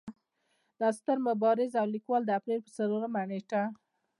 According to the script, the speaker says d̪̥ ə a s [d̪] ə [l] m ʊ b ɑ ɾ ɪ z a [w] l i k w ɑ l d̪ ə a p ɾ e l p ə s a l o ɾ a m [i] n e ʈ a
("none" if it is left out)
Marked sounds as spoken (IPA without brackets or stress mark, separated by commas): t̪, ɾ, w, a